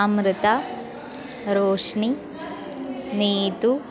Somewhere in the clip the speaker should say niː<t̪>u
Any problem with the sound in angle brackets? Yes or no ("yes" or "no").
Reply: no